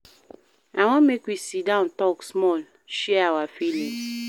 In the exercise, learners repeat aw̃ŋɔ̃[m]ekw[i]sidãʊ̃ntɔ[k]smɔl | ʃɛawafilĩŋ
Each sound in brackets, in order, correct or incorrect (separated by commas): correct, correct, correct